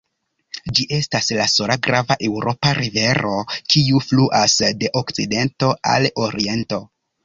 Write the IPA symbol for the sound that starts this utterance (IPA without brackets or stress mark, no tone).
d͡ʒ